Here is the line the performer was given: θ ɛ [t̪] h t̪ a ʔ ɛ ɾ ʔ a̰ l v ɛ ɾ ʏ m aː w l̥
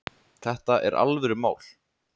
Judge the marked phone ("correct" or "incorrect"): incorrect